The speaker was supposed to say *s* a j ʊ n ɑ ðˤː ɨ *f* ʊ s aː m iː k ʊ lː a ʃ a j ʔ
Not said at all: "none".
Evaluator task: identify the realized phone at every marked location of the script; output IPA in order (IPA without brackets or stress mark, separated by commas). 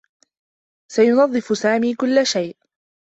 s, f